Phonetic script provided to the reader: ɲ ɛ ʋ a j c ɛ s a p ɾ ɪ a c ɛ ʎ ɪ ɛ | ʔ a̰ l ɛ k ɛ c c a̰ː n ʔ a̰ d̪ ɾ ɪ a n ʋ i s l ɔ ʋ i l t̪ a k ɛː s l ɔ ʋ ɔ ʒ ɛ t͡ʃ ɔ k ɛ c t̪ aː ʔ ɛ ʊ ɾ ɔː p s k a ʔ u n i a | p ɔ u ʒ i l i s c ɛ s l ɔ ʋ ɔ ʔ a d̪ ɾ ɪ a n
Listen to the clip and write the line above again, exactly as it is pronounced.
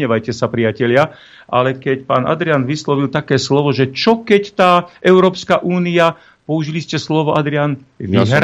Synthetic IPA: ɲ ɛ ʋ a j c ɛ s a p ɾ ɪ a c ɛ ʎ ɪ a | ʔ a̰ l ɛ k ɛ c p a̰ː n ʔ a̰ d̪ ɾ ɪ a n ʋ i s l ɔ ʋ i l t̪ a k ɛː s l ɔ ʋ ɔ ʒ ɛ t͡ʃ ɔ k ɛ c t̪ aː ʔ ɛ ʊ ɾ ɔː p s k a ʔ uː n i a | p ɔ u ʒ i l i s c ɛ s l ɔ ʋ ɔ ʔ a d̪ ɾ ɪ a n